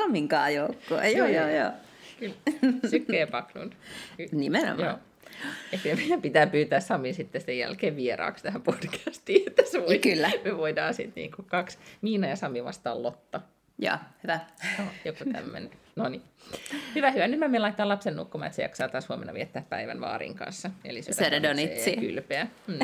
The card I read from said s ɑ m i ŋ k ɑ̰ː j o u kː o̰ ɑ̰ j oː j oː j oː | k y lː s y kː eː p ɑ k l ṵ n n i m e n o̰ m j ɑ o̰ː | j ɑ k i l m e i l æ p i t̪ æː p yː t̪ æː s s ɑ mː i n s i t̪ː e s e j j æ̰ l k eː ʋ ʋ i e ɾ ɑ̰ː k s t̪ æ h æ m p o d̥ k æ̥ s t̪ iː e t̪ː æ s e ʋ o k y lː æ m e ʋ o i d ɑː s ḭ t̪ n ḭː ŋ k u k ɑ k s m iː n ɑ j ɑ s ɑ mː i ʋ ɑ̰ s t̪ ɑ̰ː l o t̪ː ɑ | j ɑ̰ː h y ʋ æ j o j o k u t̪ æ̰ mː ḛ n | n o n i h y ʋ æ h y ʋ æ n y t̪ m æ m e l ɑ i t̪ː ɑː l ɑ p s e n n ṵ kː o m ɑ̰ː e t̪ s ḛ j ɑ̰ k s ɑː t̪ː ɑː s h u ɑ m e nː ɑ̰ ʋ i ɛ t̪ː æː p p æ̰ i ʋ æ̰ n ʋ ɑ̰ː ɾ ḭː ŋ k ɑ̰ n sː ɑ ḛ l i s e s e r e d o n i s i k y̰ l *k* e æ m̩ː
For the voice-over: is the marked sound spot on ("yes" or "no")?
no